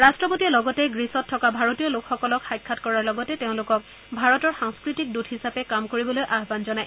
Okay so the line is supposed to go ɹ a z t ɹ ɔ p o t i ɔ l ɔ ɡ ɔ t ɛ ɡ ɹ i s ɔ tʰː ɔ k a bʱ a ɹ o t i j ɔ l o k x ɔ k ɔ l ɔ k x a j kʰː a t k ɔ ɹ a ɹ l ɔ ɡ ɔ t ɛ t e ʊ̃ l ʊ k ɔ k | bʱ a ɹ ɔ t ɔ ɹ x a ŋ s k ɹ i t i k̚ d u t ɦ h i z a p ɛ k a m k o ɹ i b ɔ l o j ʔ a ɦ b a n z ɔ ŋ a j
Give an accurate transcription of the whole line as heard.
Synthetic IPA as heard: ɹ a s t ɹ ɔ p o t i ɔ l ɔ ɡ ɔ t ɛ ɡ ɹ i s ɔ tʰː ɔ k a bʱ a ɹ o t i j ɔ l o k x ɔ k ɔ l ɔ k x a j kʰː a t k ɔ ɹ a ɹ l ɔ ɡ ɔ t ɛ t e ʊ̃ l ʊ k ɔ k | bʱ a ɹ ɔ t ɔ ɹ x a ŋ s k ɹ i t i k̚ d u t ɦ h i s a p ɛ k a m k o ɹ i b ɔ l o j ʔ a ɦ b a n z ɔ n a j